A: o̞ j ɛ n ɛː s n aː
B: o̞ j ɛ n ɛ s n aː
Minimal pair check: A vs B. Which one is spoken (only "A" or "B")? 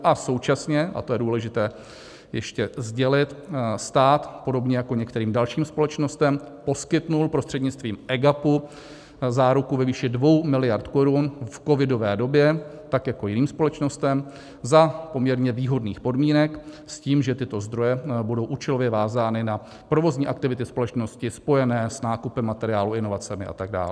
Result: A